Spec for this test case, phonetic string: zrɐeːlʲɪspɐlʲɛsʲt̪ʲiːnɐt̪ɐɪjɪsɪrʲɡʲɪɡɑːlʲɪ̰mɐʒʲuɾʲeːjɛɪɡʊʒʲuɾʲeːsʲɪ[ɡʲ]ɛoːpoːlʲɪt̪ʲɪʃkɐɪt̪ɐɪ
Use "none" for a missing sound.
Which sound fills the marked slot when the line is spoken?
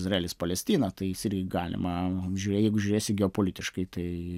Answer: ɡʲ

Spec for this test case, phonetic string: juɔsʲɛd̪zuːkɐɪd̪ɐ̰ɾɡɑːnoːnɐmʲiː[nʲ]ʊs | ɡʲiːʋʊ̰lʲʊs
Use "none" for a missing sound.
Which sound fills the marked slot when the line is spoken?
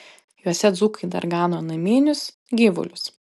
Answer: nʲ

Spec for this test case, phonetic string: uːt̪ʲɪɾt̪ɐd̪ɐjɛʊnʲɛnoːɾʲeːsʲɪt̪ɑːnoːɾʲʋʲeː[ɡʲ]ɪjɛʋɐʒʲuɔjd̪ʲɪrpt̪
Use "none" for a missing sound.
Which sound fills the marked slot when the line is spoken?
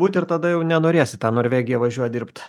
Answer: ɡʲ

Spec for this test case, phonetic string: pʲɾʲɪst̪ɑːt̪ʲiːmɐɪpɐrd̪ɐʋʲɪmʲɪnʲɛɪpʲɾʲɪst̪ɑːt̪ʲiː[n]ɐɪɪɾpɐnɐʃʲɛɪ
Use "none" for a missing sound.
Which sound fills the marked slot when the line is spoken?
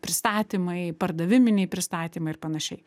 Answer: m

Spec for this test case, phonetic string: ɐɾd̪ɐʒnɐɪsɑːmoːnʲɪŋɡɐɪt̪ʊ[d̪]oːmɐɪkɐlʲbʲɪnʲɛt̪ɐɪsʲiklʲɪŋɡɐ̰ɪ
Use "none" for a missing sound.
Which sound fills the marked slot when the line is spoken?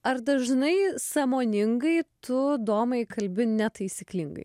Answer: d̪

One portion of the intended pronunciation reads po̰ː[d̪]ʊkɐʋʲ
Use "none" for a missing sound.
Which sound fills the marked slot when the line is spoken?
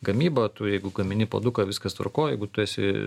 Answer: d̪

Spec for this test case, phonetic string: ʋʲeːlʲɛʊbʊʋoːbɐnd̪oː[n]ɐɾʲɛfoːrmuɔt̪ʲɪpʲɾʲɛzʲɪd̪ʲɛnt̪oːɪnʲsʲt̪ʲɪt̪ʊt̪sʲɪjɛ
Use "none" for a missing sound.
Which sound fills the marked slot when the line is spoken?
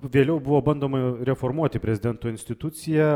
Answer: m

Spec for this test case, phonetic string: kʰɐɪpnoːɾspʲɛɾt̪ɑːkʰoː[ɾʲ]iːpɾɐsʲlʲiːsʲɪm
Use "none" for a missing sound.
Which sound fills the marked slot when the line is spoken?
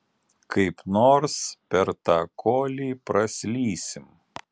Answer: lʲ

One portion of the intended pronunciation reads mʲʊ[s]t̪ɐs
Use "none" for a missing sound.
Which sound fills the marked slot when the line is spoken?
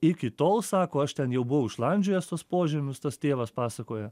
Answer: s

